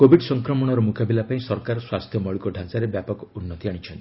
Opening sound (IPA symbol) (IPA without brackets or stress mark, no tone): k